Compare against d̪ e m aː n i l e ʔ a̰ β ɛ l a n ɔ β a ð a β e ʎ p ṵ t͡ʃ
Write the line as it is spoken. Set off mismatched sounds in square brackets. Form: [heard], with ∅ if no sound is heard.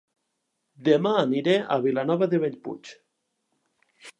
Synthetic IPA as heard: d̪ e m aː n i [ɾ] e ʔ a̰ β [i] l a n ɔ β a ð [e] β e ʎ p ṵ t͡ʃ